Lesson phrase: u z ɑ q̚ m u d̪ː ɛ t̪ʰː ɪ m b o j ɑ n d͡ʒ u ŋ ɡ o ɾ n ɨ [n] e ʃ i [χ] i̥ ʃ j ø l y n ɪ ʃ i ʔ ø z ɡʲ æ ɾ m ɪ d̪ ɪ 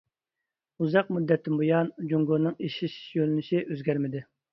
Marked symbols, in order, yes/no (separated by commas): no, no